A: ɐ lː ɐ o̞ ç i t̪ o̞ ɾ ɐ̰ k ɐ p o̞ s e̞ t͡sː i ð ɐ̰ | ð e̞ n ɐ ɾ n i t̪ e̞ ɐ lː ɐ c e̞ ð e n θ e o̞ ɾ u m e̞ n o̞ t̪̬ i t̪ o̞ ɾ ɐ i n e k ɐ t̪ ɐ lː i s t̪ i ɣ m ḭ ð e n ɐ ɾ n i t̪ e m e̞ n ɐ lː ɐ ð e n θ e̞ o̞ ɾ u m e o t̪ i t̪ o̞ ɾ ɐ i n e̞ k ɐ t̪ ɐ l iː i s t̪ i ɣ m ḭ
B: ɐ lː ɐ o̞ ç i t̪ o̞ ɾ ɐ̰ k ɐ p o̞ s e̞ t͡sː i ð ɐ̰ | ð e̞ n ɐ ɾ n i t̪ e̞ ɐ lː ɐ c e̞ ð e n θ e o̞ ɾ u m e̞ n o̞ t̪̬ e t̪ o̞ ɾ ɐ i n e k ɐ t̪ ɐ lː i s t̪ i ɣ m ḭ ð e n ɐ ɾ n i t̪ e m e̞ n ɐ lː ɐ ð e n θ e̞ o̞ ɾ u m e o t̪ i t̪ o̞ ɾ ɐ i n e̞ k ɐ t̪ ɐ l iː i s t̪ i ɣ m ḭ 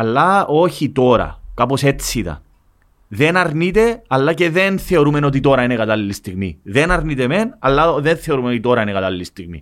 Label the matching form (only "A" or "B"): A